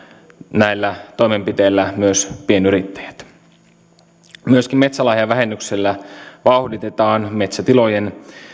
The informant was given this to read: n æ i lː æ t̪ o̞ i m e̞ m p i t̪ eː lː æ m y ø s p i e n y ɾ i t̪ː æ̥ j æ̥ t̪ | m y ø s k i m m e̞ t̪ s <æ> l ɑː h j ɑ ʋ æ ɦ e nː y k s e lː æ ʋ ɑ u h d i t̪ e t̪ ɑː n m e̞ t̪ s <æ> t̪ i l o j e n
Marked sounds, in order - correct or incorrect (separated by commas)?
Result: correct, correct